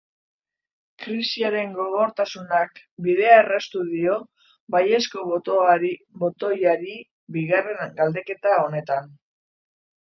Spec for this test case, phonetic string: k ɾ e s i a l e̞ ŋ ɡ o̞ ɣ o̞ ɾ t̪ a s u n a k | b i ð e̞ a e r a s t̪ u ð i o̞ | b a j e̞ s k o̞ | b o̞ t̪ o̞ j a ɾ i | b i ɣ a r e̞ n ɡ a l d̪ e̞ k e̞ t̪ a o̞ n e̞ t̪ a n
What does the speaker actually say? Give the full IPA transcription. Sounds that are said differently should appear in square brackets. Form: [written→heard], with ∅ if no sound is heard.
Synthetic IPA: k ɾ [e→i] s i a [l→ɾ] e̞ ŋ ɡ o̞ ɣ o̞ ɾ t̪ a s u n a k | b i ð e̞ a e r a s t̪ u ð i o̞ | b a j e̞ s k o̞ | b o̞ t̪ o̞ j a ɾ i | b i ɣ a r e̞ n ɡ a l d̪ e̞ k e̞ t̪ a o̞ n e̞ t̪ a n